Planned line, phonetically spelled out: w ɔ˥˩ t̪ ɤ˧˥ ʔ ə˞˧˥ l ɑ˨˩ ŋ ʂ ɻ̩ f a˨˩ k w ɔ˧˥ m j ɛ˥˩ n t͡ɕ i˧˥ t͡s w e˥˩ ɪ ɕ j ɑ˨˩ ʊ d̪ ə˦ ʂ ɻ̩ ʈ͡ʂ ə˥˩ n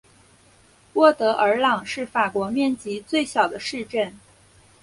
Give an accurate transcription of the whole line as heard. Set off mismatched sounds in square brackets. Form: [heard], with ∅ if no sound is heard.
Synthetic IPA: w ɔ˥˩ t̪ ɤ˧˥ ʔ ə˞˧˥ l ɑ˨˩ ŋ ʂ ɻ̩ f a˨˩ k w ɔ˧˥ m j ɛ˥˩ n t͡ɕ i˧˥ t͡s w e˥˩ ɪ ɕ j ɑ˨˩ ʊ d̪ ə˦ ʂ ɻ̩ ʈ͡ʂ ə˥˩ n